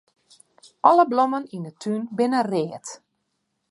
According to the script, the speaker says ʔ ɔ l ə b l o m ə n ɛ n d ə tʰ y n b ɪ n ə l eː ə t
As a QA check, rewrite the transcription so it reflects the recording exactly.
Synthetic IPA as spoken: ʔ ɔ l ə b l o m ə n i n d ə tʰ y n b ɪ n ə r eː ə t